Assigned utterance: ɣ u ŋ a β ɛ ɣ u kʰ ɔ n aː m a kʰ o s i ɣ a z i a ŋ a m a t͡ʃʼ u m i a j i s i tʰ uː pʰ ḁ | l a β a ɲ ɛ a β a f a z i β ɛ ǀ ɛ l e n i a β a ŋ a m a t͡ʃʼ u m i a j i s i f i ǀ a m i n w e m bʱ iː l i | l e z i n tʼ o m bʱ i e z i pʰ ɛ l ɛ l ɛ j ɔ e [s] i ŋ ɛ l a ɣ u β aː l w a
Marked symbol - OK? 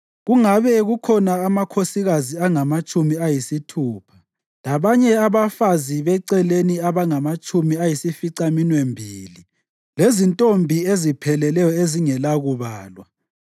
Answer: no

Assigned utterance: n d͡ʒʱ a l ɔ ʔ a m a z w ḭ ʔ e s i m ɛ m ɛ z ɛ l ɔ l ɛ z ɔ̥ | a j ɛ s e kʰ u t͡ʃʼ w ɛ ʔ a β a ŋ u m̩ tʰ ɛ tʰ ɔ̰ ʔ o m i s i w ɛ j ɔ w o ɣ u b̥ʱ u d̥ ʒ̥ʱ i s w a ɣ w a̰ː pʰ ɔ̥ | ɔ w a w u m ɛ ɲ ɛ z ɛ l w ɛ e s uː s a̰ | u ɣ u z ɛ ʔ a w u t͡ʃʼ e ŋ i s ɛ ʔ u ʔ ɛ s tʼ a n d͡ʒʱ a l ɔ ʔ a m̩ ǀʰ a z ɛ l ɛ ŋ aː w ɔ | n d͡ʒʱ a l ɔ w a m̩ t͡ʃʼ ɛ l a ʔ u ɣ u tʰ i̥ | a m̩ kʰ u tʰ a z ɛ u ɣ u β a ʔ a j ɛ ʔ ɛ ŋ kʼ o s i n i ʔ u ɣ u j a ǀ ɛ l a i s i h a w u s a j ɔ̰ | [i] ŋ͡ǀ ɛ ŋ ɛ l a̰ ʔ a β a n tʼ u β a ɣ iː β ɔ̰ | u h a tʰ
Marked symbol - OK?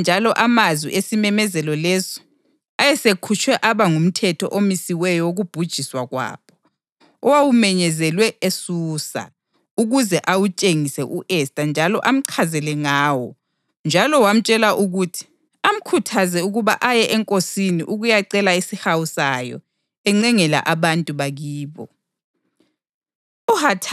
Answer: no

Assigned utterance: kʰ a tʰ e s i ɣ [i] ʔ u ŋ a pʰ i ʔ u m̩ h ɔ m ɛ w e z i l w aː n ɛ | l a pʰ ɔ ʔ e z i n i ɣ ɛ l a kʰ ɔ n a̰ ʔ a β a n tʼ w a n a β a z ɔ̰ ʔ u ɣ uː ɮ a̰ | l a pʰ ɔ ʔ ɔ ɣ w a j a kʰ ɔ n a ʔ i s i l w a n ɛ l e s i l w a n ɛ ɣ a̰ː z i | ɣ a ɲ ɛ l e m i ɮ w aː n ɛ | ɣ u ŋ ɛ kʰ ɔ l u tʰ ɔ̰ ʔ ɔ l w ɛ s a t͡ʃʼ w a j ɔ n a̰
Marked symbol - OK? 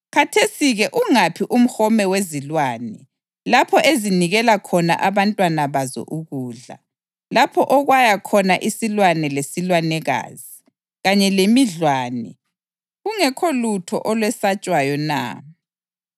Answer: no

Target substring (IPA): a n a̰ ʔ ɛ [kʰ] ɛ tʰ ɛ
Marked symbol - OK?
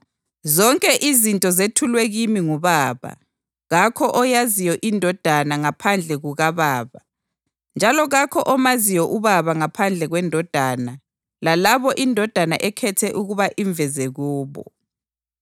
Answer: yes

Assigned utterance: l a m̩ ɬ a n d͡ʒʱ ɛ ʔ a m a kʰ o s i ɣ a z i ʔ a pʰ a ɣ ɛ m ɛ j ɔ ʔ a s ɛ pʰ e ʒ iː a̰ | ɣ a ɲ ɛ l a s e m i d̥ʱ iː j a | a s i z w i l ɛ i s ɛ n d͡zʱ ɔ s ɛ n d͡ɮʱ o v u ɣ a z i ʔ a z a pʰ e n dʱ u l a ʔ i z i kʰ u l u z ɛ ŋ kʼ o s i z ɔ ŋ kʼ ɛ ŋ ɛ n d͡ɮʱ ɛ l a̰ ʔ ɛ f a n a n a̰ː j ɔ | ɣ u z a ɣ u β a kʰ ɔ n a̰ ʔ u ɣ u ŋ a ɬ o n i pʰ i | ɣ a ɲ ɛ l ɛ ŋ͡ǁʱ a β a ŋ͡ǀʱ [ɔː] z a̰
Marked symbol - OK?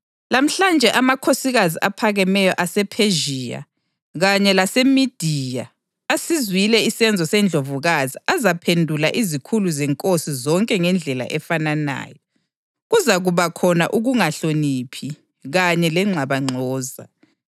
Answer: yes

